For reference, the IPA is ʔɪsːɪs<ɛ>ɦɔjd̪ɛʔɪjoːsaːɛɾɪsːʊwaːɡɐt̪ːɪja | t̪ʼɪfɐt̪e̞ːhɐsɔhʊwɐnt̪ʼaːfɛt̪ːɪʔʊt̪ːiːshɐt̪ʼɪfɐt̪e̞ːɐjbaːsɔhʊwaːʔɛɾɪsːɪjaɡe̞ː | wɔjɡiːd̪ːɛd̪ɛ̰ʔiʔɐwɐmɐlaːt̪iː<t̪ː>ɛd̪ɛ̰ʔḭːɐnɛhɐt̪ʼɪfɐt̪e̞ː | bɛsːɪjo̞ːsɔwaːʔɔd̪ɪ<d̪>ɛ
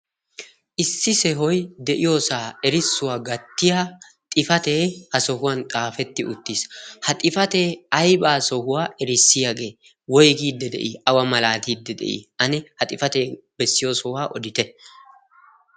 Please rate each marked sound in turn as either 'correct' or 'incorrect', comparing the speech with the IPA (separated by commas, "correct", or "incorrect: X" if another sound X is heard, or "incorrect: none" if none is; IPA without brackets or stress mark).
correct, incorrect: d̪ː, incorrect: t̪